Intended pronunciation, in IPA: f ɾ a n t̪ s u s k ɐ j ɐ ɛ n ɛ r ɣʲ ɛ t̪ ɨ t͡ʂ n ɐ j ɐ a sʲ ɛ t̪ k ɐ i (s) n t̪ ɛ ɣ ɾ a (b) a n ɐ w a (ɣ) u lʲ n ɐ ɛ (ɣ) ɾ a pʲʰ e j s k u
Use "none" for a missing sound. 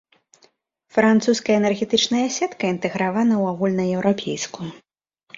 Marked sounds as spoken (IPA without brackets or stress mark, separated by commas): none, v, ɣ, w